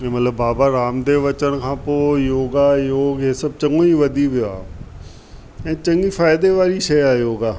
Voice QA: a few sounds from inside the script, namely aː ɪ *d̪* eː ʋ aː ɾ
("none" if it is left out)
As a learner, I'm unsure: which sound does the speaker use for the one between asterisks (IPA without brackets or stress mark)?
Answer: d̪